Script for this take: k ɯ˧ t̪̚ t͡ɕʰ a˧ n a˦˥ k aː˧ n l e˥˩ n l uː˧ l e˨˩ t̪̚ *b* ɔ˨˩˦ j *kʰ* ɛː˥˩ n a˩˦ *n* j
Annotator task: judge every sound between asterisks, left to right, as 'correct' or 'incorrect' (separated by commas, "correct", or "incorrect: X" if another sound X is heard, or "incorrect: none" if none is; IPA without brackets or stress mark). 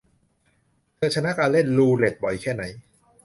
correct, correct, incorrect: none